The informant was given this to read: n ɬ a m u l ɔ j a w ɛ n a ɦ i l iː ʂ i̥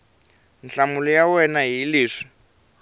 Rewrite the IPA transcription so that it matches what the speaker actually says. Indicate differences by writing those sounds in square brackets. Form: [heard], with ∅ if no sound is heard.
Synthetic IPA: n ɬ a m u l ɔ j a w ɛ n a ɦ i l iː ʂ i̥